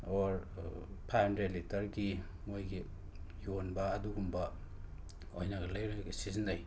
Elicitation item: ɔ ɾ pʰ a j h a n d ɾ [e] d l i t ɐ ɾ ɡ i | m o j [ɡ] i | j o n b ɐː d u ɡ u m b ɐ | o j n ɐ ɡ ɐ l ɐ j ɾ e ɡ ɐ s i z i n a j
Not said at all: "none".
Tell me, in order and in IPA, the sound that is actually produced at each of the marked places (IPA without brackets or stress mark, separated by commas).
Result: e, ɡ